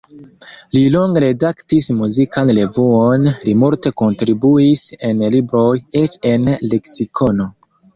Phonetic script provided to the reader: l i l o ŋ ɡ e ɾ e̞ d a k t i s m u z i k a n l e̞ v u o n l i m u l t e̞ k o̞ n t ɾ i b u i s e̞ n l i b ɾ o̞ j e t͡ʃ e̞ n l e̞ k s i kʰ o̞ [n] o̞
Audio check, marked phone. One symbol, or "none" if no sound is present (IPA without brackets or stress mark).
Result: n